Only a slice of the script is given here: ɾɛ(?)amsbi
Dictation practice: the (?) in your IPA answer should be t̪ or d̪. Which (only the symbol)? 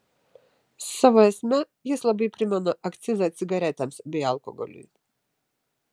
t̪